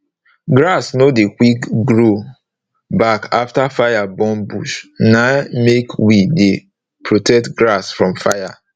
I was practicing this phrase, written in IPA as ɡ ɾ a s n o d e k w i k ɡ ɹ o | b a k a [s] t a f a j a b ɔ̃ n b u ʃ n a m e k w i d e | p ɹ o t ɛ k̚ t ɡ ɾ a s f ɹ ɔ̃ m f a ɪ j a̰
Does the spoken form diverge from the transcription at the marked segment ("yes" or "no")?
yes